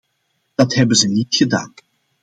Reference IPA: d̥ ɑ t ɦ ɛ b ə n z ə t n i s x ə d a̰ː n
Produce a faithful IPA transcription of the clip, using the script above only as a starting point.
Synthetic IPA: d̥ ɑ t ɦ ɛ b ə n z ə n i t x ə d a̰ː n